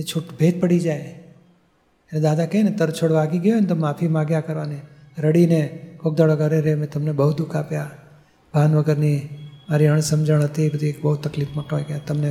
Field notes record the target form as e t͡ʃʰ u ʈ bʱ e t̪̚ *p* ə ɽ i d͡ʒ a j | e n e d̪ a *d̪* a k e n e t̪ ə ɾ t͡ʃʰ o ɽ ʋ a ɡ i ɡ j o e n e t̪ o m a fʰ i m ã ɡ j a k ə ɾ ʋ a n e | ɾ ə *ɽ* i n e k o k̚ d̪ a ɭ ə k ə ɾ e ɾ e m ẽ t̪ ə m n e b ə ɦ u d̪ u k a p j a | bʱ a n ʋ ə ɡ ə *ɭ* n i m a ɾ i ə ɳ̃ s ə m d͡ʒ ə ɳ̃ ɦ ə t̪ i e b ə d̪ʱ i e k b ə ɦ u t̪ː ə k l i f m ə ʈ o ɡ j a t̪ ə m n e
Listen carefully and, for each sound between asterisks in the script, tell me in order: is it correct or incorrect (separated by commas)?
correct, correct, correct, incorrect